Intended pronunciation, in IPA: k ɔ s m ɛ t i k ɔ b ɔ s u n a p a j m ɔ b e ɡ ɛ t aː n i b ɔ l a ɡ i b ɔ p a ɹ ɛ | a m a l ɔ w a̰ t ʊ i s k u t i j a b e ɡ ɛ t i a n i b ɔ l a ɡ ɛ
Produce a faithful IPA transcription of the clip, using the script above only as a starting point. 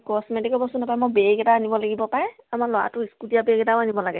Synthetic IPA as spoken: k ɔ s m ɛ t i k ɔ b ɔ s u n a p a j m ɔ b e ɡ ɛ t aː n i b ɔ l a ɡ i b ɔ p a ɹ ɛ | a m a l ɔ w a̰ t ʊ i s k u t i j a b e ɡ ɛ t a a n i b ɔ l a ɡ ɛ